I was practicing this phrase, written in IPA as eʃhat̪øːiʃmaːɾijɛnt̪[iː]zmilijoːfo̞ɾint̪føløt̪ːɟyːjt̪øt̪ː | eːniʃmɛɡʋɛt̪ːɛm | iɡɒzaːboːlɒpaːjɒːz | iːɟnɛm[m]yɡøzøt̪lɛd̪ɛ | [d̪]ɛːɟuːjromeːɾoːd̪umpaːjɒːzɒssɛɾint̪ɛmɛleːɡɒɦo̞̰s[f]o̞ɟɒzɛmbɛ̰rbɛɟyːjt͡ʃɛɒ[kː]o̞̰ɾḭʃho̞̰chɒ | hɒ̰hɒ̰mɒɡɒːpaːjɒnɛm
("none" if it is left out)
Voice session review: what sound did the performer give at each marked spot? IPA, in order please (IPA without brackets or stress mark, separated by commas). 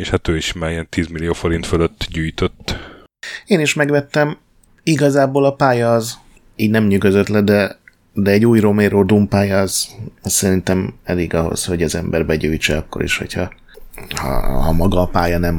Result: iː, ɲ, d̪, h, kː